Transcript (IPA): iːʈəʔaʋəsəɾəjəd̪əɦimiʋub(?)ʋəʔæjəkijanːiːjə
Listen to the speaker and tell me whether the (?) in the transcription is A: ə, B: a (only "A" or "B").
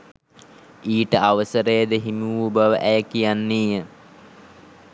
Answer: A